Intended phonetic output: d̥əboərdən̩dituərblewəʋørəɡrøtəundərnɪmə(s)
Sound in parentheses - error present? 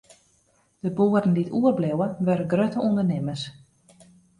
no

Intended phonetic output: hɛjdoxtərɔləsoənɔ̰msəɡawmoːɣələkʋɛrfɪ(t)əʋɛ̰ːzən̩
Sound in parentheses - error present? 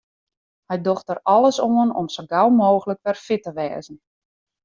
no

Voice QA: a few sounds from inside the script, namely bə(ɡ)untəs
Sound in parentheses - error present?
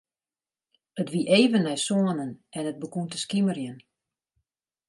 yes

